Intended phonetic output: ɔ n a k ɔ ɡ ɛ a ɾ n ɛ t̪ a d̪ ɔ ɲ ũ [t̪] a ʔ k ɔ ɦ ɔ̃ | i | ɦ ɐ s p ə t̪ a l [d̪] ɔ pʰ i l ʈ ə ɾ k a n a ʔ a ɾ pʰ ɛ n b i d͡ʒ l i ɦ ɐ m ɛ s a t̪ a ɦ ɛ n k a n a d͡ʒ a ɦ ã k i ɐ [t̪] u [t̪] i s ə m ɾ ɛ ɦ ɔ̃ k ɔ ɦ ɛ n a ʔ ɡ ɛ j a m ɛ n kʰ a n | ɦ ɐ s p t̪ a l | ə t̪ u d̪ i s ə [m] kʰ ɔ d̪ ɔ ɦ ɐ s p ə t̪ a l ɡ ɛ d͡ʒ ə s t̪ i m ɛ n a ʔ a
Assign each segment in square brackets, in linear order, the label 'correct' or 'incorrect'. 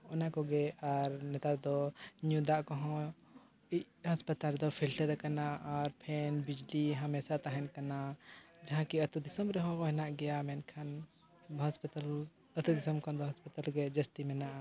incorrect: d̪, correct, correct, incorrect: d̪, correct

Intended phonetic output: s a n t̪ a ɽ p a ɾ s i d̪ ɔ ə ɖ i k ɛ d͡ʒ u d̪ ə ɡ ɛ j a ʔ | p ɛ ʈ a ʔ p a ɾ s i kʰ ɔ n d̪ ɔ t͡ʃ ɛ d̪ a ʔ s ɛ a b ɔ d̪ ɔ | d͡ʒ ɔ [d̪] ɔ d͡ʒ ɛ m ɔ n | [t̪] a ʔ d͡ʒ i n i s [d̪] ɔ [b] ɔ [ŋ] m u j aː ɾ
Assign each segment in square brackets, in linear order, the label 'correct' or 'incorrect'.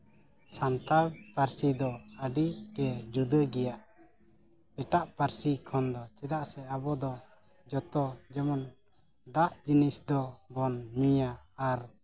incorrect: t̪, incorrect: d̪, correct, correct, incorrect: n

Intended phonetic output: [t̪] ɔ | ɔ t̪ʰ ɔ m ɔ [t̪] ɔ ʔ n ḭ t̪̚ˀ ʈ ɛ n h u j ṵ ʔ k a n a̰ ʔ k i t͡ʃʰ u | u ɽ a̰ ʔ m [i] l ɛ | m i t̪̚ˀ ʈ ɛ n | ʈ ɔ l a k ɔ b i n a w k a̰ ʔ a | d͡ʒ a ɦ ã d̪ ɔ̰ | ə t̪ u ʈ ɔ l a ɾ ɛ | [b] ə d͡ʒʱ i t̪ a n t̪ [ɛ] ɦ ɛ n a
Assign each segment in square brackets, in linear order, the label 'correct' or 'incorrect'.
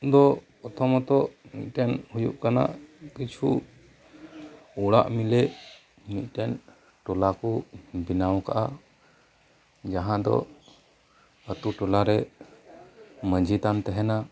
incorrect: d̪, correct, correct, incorrect: m, correct

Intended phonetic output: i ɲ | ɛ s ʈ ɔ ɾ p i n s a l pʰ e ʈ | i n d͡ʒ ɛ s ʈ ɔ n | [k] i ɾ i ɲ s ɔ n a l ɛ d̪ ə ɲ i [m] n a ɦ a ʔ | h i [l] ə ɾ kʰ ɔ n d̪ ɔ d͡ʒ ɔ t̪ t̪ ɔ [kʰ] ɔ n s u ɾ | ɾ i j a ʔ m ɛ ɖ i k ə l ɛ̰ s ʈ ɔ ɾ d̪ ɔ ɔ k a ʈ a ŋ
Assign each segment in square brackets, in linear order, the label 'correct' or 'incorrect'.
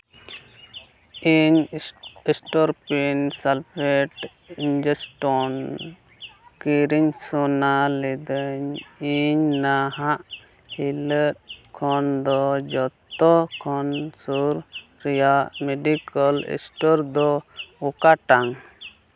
correct, incorrect: ɲ, correct, correct

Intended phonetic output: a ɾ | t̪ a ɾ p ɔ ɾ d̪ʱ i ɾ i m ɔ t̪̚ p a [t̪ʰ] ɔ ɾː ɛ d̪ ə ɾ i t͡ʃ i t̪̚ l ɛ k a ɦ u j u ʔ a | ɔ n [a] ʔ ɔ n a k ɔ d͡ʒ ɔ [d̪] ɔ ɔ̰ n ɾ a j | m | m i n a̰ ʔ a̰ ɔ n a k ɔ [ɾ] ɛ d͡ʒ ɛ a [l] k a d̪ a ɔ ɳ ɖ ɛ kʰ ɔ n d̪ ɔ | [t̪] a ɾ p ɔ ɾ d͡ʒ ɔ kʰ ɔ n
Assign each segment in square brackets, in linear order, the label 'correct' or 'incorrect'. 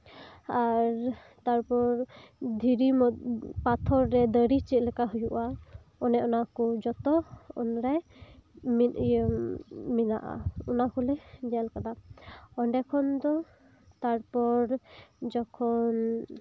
correct, incorrect: ɛ, incorrect: t̪, incorrect: l, correct, correct

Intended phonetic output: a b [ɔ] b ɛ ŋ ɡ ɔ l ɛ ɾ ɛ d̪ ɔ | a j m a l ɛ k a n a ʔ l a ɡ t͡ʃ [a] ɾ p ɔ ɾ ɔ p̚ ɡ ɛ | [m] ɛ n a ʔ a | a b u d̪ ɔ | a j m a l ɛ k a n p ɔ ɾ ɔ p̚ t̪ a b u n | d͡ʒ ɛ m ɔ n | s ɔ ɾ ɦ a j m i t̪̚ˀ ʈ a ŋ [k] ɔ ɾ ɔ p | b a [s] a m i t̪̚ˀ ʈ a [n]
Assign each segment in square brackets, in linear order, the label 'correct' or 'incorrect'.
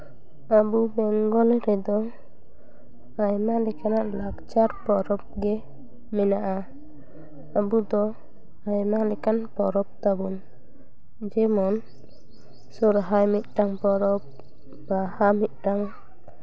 incorrect: u, correct, correct, incorrect: p, incorrect: h, incorrect: ŋ

